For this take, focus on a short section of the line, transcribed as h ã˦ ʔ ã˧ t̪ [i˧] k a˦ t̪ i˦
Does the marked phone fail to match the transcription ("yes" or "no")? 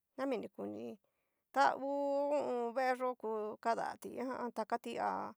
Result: yes